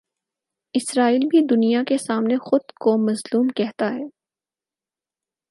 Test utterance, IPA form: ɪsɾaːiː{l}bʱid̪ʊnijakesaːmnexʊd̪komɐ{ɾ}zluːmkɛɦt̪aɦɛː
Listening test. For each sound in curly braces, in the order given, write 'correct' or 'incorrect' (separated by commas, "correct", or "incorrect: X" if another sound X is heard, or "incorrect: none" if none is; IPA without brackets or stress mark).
correct, incorrect: none